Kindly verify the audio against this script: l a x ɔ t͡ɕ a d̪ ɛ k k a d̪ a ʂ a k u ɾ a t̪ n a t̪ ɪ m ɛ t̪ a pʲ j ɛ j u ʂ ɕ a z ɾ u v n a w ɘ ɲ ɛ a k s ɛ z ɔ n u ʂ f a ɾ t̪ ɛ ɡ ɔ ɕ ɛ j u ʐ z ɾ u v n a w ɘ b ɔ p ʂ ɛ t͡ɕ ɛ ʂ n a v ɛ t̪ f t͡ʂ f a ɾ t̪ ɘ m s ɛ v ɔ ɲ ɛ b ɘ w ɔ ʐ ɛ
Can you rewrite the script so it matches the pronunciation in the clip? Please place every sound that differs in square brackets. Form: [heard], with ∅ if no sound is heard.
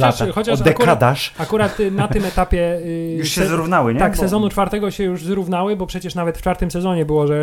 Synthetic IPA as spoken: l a x ɔ t͡ɕ a d̪ ɛ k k a d̪ a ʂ a k u ɾ a t̪ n a t̪ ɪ m ɛ t̪ a pʲ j ɛ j u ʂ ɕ [ɛ] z ɾ u v n a w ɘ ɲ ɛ a k s ɛ z ɔ n u [t͡ʂ] f a ɾ t̪ ɛ ɡ ɔ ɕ ɛ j u ʐ z ɾ u v n a w ɘ b ɔ p ʂ ɛ t͡ɕ ɛ ʂ n a v ɛ t̪ f t͡ʂ f a ɾ t̪ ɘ m s ɛ [z] ɔ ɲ ɛ b ɘ w ɔ ʐ ɛ